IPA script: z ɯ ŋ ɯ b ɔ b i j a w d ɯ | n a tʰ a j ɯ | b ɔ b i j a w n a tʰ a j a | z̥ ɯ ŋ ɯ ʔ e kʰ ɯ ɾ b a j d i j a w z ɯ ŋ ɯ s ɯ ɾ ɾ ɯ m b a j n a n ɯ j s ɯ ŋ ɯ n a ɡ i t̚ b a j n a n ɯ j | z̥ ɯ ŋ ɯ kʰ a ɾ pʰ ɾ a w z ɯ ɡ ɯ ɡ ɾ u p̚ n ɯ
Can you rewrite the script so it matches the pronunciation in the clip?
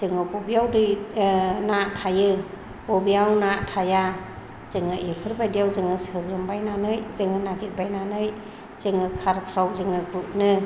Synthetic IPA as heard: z ɯ ŋ ɯ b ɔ b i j a w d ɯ | n a tʰ a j ɯ | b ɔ b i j a w n a tʰ a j a | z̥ ɯ ŋ ɯ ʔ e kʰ ɯ ɾ b a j d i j a w z ɯ ŋ ɯ s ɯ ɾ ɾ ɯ m b a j n a n ɯ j z ɯ ŋ ɯ n a ɡ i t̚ b a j n a n ɯ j | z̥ ɯ ŋ ɯ kʰ a ɾ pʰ ɾ a w z ɯ ŋ ɯ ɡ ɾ u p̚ n ɯ